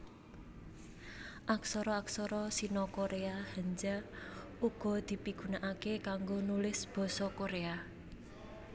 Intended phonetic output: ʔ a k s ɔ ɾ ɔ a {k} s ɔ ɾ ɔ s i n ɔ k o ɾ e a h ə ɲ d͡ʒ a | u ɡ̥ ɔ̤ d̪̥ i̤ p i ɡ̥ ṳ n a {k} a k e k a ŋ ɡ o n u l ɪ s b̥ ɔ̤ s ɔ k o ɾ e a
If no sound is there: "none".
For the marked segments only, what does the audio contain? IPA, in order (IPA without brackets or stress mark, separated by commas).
k, ʔ